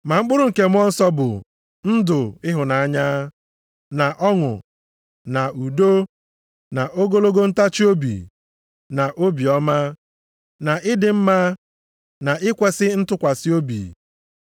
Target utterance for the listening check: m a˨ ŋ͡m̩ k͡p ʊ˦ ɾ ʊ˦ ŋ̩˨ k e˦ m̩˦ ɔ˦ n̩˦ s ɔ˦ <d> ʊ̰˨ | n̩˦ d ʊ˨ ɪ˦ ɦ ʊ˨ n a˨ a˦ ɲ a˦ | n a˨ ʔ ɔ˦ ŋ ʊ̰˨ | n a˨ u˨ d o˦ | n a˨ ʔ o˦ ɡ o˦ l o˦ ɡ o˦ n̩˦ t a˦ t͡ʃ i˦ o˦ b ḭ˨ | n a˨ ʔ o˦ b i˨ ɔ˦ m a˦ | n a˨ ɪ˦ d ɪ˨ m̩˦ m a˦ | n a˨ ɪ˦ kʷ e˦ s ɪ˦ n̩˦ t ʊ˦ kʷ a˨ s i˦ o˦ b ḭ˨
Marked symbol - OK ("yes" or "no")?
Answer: no